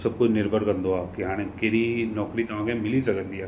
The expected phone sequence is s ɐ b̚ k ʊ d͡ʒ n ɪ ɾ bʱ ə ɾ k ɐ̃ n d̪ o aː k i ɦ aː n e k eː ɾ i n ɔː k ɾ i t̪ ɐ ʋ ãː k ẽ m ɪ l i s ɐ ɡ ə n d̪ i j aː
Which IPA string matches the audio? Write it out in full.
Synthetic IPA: s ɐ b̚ k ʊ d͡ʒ n ɪ ɾ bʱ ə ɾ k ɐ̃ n d̪ o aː k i ɦ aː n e k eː ɾ i n ɔː k ɾ i t̪ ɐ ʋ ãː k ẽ m ɪ l i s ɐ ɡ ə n d̪ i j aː